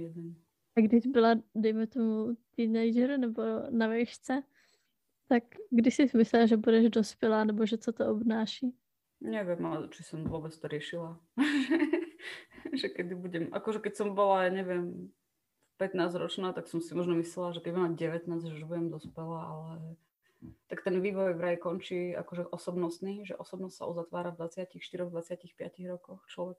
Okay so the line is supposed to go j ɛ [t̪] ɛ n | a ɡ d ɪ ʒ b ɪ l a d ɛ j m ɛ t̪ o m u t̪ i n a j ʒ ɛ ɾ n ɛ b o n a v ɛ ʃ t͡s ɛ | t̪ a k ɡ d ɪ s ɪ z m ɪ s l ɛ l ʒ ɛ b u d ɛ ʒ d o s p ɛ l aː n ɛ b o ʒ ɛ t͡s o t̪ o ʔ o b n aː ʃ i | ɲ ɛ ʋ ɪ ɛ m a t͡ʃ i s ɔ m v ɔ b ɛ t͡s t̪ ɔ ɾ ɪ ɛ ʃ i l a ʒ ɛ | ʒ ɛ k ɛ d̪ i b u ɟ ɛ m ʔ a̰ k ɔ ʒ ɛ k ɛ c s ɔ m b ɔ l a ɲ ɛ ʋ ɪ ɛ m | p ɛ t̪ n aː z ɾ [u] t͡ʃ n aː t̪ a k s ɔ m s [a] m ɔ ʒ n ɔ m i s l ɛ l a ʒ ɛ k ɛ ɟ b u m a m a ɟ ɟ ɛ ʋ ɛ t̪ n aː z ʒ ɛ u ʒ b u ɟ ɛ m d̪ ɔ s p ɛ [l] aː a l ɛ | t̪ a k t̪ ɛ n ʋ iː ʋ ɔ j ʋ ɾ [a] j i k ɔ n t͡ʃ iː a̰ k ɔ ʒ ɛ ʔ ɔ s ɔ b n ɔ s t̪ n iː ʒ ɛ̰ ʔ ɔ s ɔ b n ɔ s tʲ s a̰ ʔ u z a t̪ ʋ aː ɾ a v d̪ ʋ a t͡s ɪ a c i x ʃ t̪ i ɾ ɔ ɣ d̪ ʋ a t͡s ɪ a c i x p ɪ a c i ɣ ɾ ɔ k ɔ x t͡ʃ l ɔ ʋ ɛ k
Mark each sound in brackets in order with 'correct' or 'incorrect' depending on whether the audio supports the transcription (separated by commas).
incorrect, incorrect, incorrect, correct, correct